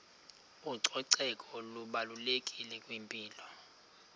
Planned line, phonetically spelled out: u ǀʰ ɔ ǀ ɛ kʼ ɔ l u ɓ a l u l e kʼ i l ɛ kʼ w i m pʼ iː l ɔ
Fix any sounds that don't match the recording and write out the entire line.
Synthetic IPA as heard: u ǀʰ ɔ ǀ ɛ kʼ ɔ l u ɓ a l u l e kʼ i l ɛ kʼ w i m pʼ iː l ɔ

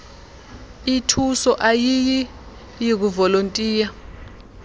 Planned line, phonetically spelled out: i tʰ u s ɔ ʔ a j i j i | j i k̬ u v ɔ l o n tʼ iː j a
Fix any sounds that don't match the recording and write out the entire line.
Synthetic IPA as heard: i tʰ u s ɔ ʔ a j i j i | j i k̬ u v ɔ l o n tʼ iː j a

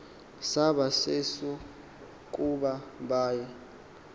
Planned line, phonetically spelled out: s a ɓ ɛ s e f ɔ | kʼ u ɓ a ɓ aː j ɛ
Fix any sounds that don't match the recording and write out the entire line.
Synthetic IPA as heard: s a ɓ a s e s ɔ | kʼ u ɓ a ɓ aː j ɛ

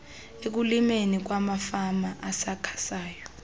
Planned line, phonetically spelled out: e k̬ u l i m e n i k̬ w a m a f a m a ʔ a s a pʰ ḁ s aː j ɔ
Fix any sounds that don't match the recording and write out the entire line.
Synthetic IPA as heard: e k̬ u l i m e n i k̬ w a m a f a m a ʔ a s a kʰ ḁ s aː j ɔ

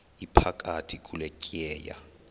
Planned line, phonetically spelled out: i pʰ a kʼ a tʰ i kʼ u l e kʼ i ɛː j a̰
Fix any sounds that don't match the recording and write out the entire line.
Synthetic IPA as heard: i pʰ a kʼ a tʰ i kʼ u l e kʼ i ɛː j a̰

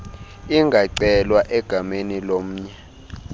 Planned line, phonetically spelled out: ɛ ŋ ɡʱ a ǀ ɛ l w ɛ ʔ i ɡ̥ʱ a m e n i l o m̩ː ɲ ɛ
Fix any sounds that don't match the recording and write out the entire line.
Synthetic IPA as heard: i ŋ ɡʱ a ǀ ɛ l w a ʔ ɛ ɡ̥ʱ a m e n i l o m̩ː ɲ ɛ

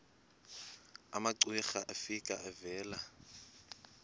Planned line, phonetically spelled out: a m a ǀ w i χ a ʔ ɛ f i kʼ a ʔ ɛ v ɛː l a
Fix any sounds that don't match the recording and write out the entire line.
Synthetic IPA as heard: a m a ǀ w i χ a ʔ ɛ f i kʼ a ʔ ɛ v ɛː l a

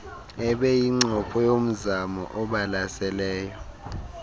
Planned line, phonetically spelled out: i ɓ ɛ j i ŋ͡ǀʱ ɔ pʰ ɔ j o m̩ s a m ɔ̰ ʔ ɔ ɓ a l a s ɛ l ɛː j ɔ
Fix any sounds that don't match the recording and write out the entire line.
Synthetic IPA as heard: ɛ ɓ ɛ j i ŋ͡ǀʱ ɔ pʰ ɔ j o m̩ z a m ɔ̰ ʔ ɔ ɓ a l a s ɛ l ɛː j ɔ

